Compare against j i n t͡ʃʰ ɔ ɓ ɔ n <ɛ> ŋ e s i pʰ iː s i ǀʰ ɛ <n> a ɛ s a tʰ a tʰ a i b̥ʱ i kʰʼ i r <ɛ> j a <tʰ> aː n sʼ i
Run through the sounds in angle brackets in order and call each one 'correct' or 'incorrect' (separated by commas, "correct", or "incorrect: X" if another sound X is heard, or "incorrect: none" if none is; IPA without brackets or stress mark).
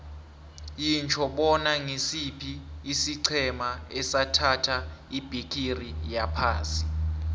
incorrect: a, incorrect: m, incorrect: i, incorrect: pʰ